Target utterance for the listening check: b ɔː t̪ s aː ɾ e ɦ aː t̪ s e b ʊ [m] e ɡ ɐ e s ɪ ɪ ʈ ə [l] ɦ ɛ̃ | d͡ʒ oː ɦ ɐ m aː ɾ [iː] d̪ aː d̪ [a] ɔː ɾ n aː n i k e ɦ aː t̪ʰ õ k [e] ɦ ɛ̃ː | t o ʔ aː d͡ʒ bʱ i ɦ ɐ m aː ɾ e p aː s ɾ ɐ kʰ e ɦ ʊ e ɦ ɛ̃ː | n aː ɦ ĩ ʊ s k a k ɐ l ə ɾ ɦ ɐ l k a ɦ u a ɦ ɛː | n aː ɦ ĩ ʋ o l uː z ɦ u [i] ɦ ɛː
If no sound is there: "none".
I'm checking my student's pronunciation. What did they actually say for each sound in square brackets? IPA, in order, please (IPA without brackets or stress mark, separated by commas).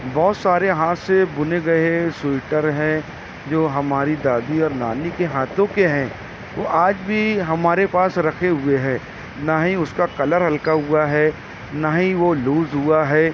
n, ɾ, i, i, e, a